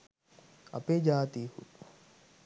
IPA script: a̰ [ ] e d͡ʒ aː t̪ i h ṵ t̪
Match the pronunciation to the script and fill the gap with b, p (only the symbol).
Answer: p